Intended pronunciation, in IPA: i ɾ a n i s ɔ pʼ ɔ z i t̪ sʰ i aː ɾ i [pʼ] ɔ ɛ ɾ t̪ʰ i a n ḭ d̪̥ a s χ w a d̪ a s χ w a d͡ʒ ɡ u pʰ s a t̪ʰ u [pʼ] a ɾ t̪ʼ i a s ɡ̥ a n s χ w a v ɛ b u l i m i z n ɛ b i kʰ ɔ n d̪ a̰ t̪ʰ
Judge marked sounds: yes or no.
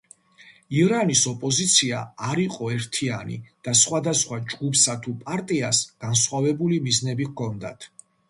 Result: no, yes

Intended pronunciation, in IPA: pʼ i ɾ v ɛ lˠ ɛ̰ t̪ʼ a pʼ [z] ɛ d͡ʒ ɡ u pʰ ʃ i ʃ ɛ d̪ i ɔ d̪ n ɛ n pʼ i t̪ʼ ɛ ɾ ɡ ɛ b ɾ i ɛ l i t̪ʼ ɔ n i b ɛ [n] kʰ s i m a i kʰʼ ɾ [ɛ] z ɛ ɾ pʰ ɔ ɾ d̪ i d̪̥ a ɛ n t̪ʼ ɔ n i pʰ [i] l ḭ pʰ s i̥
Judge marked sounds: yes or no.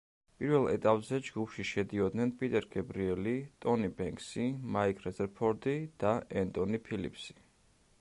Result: yes, no, yes, yes

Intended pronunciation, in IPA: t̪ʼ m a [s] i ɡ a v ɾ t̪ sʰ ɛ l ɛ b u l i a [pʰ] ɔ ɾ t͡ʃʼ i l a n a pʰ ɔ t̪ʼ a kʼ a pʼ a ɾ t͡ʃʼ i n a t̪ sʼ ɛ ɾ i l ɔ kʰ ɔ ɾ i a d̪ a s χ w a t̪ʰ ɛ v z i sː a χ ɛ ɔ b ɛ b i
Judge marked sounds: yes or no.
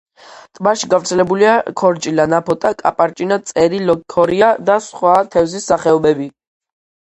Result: no, no

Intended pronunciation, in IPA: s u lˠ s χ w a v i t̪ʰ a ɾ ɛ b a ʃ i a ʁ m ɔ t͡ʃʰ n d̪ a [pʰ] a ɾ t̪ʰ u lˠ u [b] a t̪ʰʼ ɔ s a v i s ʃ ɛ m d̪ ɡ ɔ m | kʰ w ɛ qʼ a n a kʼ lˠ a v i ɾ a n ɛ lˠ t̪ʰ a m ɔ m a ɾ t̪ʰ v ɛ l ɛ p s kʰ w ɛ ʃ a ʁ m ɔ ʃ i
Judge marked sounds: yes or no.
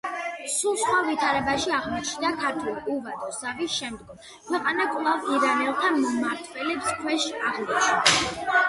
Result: no, no

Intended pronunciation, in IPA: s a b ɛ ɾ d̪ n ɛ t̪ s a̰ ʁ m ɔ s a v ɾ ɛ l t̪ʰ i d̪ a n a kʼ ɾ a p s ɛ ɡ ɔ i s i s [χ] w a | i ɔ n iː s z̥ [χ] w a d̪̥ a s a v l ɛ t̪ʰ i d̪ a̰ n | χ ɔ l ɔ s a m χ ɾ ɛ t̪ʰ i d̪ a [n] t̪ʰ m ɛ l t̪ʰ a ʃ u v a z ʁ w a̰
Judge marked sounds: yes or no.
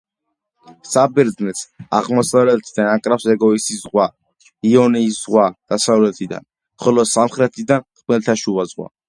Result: no, no, yes

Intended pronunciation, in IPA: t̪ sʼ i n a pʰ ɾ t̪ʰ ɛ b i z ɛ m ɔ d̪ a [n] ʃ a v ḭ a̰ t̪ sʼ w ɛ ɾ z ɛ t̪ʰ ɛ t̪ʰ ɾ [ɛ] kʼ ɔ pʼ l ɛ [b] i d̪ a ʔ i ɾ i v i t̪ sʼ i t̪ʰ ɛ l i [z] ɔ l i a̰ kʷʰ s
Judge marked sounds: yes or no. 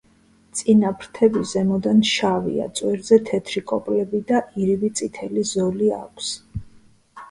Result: yes, no, yes, yes

